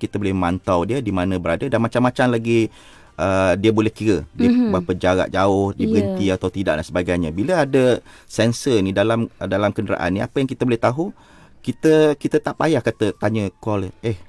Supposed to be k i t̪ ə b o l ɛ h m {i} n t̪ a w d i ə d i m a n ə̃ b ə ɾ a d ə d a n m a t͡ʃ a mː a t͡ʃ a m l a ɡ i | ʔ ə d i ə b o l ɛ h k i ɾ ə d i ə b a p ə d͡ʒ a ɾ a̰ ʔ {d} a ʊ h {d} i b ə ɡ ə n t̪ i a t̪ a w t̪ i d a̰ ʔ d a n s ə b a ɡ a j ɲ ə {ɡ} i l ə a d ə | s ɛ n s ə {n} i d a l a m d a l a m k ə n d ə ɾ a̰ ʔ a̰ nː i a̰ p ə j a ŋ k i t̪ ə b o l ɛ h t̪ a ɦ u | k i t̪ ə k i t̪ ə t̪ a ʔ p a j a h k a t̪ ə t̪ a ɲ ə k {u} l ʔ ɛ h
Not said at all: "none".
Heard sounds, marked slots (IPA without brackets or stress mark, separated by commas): a, d͡ʒ, d, b, n, ɔ